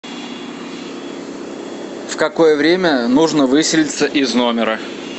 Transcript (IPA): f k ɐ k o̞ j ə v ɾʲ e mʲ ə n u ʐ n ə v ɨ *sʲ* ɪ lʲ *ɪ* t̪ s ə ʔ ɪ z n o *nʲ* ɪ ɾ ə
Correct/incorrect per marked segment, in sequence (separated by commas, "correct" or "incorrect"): correct, correct, incorrect